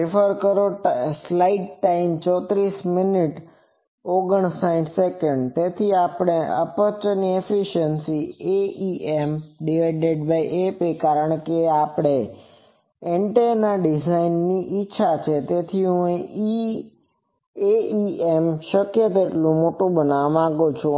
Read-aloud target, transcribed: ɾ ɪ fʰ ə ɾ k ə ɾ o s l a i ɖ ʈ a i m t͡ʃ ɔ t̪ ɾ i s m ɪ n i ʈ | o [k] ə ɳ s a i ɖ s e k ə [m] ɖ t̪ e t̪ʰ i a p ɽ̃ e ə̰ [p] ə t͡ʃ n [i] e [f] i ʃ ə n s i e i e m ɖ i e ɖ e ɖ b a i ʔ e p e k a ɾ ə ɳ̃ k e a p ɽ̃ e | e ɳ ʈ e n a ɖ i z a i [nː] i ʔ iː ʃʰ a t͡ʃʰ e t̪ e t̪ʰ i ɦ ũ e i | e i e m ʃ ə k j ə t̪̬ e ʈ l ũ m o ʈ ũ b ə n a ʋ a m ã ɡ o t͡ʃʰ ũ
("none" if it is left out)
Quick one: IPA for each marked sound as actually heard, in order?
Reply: ɡ, ɳ, p, i, f, nː

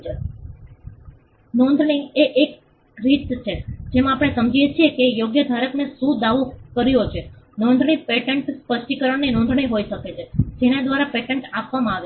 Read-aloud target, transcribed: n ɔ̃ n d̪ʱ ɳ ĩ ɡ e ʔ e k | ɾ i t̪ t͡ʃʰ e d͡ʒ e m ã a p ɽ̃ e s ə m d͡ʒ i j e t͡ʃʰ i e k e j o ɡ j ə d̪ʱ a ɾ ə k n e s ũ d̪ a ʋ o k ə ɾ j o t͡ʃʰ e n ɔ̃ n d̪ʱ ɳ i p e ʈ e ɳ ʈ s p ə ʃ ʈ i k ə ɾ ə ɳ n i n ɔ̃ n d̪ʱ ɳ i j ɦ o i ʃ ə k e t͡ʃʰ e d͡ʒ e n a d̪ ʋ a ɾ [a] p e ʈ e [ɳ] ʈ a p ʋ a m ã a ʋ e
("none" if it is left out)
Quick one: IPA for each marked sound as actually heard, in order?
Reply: a, ɳ

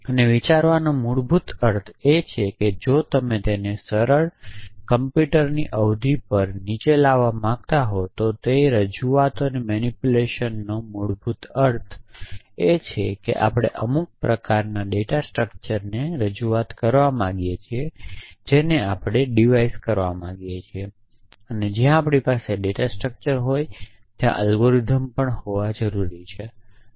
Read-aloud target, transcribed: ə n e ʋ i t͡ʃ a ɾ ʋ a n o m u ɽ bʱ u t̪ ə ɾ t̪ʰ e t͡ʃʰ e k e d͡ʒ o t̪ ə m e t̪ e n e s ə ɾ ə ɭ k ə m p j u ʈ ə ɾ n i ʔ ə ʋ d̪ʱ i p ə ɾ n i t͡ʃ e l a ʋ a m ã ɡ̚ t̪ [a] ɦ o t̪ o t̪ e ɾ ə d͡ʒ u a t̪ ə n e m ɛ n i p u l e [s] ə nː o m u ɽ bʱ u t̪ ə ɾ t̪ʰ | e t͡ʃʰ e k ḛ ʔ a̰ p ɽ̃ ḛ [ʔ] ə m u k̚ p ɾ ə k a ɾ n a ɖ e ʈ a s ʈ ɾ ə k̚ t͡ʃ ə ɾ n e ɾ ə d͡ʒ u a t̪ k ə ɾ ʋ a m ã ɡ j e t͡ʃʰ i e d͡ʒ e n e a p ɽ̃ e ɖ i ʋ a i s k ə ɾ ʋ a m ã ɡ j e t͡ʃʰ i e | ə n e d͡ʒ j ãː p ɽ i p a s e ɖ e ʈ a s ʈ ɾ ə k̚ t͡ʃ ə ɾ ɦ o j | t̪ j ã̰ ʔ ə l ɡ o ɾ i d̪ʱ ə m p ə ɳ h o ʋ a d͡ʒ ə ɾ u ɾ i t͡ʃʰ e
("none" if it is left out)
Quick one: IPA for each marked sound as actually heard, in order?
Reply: a, ʃ, ʔ

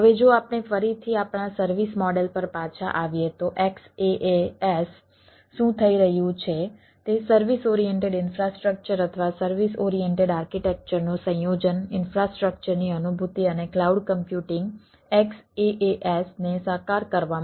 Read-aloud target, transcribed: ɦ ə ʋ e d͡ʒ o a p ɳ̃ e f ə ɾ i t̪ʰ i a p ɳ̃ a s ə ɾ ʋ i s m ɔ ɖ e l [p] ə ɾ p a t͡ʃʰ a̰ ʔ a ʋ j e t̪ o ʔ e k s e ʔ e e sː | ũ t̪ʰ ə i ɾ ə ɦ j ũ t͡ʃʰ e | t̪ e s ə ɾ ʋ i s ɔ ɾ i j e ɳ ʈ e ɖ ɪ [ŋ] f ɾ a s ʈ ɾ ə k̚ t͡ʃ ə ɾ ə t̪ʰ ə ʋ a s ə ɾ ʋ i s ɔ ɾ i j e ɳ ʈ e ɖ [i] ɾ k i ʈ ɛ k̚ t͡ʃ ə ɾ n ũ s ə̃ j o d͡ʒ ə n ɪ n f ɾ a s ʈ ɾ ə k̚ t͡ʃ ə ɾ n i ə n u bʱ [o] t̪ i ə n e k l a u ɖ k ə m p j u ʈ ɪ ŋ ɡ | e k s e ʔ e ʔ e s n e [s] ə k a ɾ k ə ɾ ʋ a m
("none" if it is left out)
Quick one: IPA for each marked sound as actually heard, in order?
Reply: p, n, a, u, s

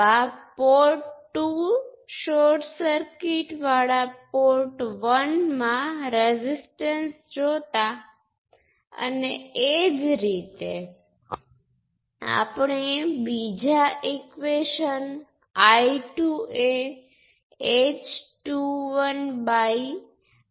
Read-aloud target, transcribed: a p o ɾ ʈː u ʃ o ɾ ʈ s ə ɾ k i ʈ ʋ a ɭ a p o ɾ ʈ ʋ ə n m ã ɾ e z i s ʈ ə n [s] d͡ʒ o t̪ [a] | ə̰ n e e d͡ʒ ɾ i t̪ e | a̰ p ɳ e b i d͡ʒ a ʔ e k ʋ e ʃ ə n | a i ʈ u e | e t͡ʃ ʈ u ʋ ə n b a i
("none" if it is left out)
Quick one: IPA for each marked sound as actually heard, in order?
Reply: s, a

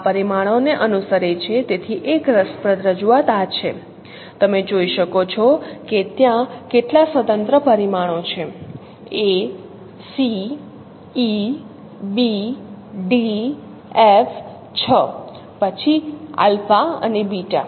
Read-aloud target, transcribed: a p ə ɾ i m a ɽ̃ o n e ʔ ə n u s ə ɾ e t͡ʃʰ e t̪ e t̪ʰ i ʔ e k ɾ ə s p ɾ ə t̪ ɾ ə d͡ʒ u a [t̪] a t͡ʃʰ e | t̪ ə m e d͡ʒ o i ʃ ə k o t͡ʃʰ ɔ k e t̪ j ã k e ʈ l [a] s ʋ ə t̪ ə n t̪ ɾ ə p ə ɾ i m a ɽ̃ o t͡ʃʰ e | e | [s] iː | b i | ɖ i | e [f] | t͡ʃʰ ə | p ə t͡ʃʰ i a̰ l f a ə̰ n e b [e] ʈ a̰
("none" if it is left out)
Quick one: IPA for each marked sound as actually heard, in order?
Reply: t̪, a, s, f, i

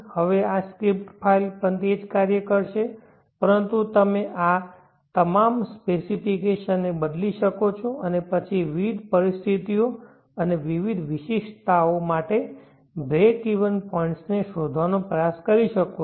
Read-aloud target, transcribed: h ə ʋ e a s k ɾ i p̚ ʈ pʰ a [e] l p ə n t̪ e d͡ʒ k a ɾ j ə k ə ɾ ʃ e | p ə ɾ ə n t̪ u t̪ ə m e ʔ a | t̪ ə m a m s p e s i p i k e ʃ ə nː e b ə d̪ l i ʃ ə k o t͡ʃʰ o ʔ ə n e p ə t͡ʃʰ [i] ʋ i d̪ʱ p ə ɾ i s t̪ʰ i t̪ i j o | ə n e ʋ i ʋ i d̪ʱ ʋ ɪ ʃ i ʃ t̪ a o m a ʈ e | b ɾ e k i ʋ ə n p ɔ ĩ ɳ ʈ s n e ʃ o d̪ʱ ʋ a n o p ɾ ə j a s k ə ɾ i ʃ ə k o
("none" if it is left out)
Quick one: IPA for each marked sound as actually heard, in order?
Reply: i, i

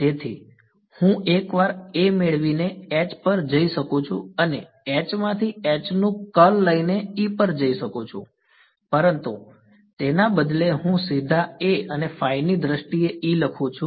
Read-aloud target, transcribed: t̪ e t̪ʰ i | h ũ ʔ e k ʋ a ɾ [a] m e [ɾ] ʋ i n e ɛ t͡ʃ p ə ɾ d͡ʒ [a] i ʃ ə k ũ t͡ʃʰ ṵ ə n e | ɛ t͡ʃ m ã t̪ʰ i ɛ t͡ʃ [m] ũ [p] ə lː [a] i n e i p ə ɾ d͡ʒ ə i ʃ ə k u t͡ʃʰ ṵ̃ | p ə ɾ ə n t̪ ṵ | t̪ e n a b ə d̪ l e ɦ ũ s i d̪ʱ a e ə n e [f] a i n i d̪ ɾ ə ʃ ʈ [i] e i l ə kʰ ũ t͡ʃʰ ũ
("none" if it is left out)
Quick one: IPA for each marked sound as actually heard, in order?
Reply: e, ɭ, ə, n, k, ə, f, i

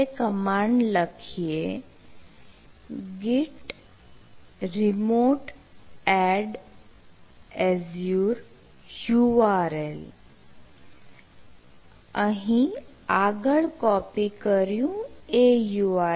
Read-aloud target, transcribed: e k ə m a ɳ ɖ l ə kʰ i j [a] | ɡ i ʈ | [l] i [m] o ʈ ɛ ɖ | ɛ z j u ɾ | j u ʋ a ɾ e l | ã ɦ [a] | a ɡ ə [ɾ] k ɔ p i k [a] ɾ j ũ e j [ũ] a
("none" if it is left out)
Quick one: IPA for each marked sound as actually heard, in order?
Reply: e, ɾ, m, i, ɭ, ə, u

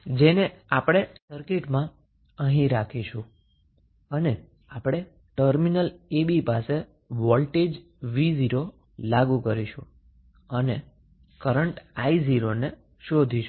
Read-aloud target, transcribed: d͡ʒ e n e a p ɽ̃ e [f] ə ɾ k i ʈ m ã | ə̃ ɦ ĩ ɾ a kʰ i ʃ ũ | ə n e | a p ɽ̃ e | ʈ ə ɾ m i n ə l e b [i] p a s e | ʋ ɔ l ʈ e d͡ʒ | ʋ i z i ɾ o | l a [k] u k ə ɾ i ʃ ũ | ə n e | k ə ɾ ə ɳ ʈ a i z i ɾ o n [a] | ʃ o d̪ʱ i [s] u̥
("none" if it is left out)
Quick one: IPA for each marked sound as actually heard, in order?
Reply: s, i, ɡ, e, ʃ

